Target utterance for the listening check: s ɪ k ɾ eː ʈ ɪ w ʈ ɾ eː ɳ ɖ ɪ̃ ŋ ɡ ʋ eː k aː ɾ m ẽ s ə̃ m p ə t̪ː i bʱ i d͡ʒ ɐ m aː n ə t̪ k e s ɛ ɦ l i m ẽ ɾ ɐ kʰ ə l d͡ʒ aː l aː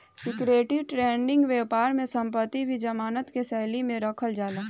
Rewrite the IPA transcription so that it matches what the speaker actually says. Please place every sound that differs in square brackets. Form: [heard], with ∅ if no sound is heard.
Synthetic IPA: s ɪ k ɾ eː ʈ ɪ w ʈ ɾ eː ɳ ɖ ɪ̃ ŋ ɡ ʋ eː [p] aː ɾ m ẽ s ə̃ m p ə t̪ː i bʱ i d͡ʒ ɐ m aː n ə t̪ k e s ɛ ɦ l i m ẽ ɾ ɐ kʰ ə l d͡ʒ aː l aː